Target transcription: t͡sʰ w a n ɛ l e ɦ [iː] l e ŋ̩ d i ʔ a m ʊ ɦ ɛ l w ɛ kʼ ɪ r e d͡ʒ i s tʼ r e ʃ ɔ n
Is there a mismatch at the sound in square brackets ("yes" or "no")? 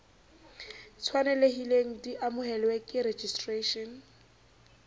yes